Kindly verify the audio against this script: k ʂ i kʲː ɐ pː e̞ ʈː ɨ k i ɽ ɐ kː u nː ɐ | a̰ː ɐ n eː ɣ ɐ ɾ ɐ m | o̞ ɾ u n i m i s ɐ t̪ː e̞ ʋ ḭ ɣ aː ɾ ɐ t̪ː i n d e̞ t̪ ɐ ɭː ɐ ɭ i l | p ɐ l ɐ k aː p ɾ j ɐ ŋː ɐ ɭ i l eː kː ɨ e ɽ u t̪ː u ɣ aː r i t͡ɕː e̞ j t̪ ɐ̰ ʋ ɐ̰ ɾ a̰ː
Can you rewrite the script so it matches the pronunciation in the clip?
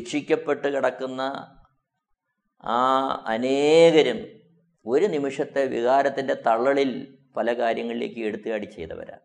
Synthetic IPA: k ʂ i kʲː ɐ pː e̞ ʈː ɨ k i ɽ ɐ kː u nː ɐ | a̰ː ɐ n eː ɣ ɐ ɾ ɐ m | o̞ ɾ u n i m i ʂ ɐ t̪ː e̞ ʋ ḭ ɣ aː ɾ ɐ t̪ː i n d e̞ t̪ ɐ ɭː ɐ ɭ i l | p ɐ l ɐ k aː ɾ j ɐ ŋː ɐ ɭ i l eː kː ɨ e ɽ u t̪ː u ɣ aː ɽ i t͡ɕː e̞ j t̪ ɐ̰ ʋ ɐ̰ ɾ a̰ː